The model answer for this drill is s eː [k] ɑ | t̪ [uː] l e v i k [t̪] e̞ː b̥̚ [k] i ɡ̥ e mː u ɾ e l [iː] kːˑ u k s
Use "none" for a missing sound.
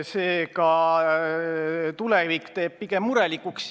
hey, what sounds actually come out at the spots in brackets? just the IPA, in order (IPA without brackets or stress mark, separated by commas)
k, u, t̪, p, i